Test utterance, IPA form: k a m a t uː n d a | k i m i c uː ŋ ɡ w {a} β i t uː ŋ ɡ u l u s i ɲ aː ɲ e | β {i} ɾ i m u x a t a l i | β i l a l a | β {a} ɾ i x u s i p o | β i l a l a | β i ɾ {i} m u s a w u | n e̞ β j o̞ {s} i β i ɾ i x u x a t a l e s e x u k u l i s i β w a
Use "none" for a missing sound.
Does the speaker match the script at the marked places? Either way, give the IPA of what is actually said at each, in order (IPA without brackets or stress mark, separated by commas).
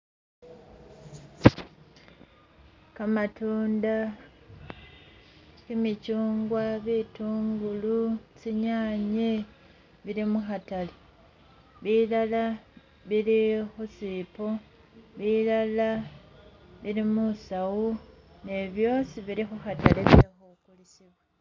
a, i, i, i, s